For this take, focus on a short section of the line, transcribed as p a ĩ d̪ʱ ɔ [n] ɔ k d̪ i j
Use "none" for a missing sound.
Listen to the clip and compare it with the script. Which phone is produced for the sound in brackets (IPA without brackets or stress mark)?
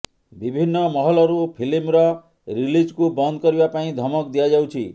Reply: m